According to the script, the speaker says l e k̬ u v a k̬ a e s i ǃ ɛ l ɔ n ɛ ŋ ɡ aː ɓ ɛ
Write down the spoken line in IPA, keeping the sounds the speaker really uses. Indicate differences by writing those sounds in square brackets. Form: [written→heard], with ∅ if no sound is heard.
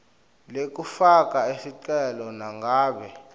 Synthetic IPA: l e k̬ u [v→f] a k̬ a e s i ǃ ɛ l ɔ n [ɛ→a] ŋ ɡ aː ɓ ɛ